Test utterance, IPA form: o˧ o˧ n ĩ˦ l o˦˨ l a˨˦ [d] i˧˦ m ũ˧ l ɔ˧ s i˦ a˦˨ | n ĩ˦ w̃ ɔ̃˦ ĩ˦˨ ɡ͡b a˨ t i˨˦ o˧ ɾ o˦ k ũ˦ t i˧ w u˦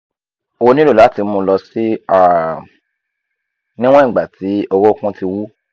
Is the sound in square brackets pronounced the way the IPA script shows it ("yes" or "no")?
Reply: no